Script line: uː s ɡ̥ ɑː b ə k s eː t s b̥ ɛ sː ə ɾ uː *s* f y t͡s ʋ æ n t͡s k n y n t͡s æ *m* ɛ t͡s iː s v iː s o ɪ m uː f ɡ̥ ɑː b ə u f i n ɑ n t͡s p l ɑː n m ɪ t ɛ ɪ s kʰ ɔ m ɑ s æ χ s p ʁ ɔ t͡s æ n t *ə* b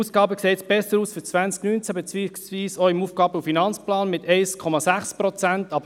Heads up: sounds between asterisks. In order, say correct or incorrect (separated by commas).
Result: correct, incorrect, incorrect